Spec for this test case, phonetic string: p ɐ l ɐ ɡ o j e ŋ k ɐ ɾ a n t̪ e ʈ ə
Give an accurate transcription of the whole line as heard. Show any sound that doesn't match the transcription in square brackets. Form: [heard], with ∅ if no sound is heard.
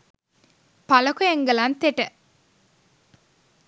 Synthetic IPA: p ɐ l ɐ [k] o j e ŋ [ɡ] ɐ [l] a n t̪ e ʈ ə